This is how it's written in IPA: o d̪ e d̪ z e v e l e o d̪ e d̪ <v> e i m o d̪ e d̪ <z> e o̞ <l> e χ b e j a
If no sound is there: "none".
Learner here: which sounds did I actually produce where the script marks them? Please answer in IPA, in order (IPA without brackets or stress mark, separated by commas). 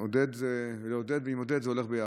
v, z, l